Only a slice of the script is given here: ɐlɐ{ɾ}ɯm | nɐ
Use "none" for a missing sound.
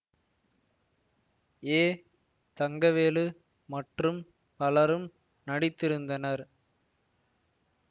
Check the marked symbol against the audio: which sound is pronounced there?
ɾ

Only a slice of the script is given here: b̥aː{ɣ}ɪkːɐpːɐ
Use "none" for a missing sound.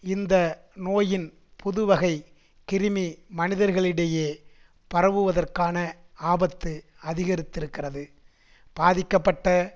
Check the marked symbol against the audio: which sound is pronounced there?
ð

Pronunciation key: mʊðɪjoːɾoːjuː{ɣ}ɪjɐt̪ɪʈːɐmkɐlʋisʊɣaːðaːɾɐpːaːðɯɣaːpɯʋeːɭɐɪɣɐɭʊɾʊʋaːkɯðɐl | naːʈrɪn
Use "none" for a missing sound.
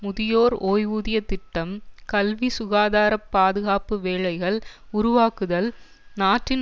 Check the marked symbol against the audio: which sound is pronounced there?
ð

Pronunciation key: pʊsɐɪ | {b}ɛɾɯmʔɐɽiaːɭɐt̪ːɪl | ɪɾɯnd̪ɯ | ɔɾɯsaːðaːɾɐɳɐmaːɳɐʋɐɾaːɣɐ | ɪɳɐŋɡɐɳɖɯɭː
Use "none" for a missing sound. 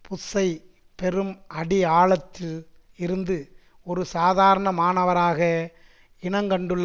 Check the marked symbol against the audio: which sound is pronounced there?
p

